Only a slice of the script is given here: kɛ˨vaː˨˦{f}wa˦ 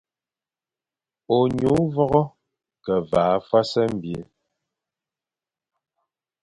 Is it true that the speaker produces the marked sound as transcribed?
yes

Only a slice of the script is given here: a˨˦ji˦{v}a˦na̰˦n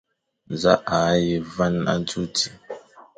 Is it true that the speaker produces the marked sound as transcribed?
yes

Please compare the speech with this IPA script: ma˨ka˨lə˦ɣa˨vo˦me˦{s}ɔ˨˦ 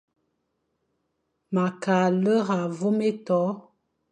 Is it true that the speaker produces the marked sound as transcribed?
no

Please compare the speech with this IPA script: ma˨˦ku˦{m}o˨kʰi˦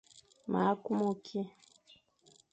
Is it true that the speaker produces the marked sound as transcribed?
yes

